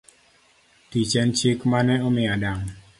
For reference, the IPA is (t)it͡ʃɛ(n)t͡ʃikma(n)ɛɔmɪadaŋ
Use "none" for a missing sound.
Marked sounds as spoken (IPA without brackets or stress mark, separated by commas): t, n, n